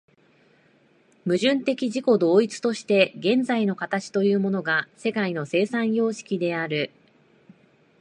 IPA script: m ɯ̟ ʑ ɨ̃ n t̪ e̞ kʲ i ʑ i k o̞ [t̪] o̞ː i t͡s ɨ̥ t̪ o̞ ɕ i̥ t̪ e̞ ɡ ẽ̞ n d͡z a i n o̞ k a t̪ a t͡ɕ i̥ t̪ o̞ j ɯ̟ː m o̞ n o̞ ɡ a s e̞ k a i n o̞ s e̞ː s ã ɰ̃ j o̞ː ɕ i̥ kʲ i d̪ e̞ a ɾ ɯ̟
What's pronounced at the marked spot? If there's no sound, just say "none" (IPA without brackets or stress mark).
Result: d̪